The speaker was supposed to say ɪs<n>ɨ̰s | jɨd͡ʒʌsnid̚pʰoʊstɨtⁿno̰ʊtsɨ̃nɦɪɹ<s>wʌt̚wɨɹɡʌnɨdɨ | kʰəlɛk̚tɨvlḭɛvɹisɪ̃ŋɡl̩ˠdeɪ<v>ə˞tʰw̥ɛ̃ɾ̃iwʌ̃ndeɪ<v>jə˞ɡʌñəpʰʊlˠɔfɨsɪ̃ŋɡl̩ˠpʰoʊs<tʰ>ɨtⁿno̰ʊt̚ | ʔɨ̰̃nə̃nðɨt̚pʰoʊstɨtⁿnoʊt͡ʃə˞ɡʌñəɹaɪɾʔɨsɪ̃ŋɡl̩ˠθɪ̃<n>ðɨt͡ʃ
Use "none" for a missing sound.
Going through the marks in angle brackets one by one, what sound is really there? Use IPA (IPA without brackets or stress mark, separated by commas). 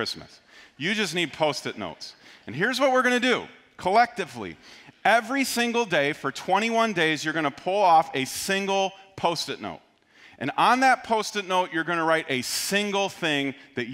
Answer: m, z, f, z, t, ŋ